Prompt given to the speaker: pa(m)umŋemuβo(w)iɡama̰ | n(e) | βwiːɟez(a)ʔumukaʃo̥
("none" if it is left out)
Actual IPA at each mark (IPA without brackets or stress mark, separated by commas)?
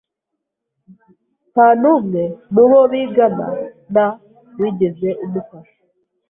n, β, a, e